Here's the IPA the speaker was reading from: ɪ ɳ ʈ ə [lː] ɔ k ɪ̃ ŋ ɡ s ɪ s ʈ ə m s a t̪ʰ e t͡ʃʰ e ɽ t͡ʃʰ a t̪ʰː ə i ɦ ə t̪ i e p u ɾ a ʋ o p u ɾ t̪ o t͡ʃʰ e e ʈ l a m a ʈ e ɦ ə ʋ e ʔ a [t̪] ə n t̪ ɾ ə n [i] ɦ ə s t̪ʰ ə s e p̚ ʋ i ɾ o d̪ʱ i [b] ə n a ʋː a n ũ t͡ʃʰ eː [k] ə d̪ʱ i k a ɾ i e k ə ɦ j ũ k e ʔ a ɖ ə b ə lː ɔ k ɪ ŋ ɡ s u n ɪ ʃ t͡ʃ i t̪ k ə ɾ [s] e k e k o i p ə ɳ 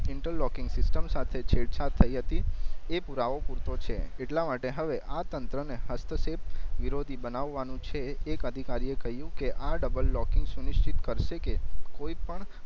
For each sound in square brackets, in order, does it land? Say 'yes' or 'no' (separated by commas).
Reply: yes, yes, no, yes, yes, no